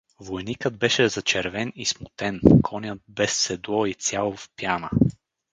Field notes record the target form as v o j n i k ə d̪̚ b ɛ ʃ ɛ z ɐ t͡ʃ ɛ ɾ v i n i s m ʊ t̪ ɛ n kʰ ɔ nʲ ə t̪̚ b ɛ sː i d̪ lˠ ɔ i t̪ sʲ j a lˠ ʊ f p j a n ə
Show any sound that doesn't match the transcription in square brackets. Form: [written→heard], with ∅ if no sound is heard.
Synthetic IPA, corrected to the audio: v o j n i k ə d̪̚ b ɛ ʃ ɛ z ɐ t͡ʃ ɛ ɾ v [i→ɛ] n i s m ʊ t̪ ɛ n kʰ ɔ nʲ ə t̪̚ b ɛ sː [i→ɛ] d̪ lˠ ɔ i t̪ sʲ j a lˠ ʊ f p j a n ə